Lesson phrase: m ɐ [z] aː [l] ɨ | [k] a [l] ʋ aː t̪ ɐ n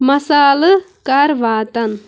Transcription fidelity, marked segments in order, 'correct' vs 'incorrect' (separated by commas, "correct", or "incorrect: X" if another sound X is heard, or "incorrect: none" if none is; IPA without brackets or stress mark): incorrect: s, correct, correct, incorrect: ɾ